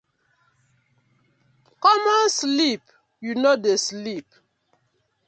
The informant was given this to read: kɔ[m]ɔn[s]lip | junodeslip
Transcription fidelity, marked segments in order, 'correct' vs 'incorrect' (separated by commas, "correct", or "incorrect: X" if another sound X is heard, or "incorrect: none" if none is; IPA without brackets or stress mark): correct, correct